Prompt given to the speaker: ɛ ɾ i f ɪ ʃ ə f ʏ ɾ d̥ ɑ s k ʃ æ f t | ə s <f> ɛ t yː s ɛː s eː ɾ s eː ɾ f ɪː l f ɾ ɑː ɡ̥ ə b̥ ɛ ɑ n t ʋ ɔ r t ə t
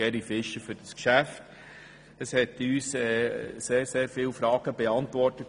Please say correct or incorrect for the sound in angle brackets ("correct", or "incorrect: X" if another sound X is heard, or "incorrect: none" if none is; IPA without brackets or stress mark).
incorrect: h